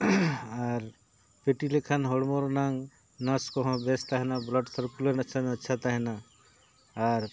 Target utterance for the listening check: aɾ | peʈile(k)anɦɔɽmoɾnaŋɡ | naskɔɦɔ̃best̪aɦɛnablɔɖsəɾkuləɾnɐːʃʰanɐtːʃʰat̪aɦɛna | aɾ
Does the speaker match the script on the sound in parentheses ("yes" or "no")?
no